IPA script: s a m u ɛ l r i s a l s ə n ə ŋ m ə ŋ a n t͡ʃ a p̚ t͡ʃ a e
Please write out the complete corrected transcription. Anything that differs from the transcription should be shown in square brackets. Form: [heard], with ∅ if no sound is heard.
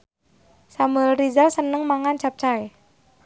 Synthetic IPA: s a m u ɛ l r i [z] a l s ə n ə ŋ m [a] ŋ a n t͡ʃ a p̚ t͡ʃ a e